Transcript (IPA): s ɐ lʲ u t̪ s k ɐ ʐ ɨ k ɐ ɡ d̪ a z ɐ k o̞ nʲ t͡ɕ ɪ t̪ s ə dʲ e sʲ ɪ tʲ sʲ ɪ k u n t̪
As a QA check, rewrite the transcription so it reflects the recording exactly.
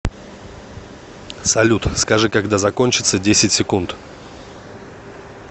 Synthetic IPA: s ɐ lʲ u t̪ s k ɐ ʐ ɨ k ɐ ɡ d̪ a z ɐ k o̞ nʲ t͡ɕ ɪ t̪ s ə dʲ e sʲ ɪ tʲ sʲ ɪ k u n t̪

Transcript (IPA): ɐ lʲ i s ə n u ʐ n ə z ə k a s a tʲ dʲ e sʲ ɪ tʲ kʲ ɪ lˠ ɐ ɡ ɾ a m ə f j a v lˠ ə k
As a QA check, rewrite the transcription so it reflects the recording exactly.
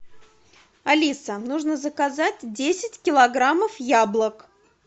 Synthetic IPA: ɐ lʲ i s ə n u ʐ n ə z ə k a z a tʲ dʲ e sʲ ɪ tʲ kʲ ɪ lˠ ɐ ɡ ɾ a m ə f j a b lˠ ə k

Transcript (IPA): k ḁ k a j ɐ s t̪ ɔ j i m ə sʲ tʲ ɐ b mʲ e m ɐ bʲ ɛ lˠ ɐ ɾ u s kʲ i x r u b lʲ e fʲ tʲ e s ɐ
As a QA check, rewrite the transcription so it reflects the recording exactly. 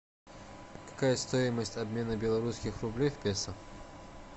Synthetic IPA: k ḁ k a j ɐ s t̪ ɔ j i m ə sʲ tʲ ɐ b mʲ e n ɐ bʲ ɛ lˠ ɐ ɾ u s kʲ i x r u b lʲ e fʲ pʲ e s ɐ

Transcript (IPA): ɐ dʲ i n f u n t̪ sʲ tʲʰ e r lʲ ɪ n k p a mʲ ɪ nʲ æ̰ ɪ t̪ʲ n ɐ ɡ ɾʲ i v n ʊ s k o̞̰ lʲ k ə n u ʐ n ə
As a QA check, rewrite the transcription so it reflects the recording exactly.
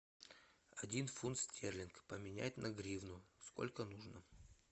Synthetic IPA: ɐ dʲ i n f u n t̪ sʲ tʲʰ e r lʲ ɪ n k p ə mʲ ɪ nʲ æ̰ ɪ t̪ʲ n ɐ ɡ ɾʲ i v n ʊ s k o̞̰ lʲ k ə n u ʐ n ə

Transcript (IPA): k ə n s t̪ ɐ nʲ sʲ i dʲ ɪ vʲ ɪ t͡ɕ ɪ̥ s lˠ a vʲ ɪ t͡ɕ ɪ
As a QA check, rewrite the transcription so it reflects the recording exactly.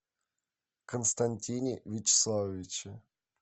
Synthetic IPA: k ə n s t̪ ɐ nʲ tʲ i nʲ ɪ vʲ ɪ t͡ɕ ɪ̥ s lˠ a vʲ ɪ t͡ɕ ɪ

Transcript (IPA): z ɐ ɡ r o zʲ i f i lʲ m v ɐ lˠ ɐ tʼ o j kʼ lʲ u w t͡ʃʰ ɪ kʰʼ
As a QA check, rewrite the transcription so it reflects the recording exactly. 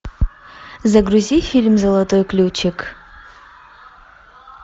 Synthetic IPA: z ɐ ɡ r u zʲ i f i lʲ m z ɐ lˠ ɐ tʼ o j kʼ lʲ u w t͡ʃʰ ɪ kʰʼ

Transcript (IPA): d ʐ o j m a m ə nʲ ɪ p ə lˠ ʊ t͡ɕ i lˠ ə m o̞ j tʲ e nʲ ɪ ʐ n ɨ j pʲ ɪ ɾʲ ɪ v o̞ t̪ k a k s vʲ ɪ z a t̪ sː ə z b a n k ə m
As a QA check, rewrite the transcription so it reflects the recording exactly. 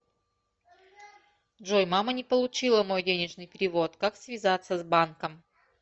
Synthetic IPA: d ʐ o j m a m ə nʲ ɪ p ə lˠ ʊ t͡ɕ i lˠ ə m o̞ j dʲ e nʲ ɪ ʐ n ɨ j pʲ ɪ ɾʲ ɪ v o̞ t̪ k a k s vʲ ɪ z a t̪ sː ə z b a n k ə m

